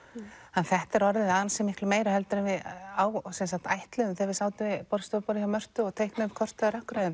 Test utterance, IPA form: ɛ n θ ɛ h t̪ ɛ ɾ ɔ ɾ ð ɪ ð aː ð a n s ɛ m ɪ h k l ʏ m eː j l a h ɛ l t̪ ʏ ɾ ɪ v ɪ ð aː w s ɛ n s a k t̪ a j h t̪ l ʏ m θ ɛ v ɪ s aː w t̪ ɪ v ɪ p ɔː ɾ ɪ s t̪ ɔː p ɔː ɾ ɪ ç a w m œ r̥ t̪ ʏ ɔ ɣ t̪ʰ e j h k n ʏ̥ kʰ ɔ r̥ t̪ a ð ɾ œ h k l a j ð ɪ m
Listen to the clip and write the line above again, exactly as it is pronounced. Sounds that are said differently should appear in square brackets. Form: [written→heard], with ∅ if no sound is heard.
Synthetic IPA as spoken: ɛ n θ ɛ h t̪ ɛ ɾ ɔ ɾ ð ɪ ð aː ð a n s ɛ m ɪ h k l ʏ m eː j [l→ɾ] a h ɛ l t̪ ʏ ɾ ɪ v ɪ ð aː w s ɛ n s a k t̪ a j h t̪ l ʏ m θ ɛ v ɪ s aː w t̪ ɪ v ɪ p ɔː ɾ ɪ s t̪ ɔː p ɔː ɾ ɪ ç a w m œ r̥ t̪ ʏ ɔ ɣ t̪ʰ e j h k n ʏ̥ kʰ ɔ r̥ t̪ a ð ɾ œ h k [l→ɾ] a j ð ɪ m